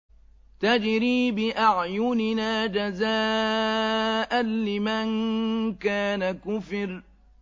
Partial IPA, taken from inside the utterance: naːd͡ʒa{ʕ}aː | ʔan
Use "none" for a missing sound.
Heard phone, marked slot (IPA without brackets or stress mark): z